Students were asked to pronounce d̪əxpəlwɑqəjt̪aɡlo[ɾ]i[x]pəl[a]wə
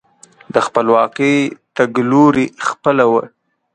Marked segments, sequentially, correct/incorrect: correct, correct, correct

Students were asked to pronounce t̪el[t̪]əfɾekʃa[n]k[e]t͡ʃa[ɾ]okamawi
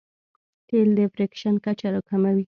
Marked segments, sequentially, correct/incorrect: incorrect: d̪, correct, incorrect: a, correct

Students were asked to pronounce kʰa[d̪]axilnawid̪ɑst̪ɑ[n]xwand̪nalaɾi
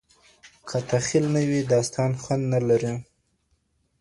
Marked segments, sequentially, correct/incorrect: incorrect: t̪, correct

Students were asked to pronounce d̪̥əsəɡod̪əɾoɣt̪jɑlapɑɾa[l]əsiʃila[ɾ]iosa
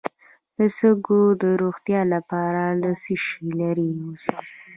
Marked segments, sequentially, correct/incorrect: correct, correct

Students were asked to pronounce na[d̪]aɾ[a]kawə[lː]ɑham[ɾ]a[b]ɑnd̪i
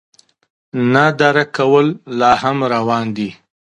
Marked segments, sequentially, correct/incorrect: correct, correct, correct, correct, incorrect: w

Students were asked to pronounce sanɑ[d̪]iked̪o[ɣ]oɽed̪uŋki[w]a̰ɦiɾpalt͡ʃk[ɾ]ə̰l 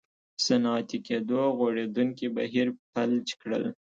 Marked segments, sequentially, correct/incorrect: incorrect: t̪, correct, incorrect: b, incorrect: ɽ

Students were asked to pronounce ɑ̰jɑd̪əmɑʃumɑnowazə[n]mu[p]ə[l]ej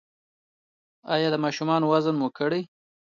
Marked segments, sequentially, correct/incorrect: correct, incorrect: k, incorrect: ɽ

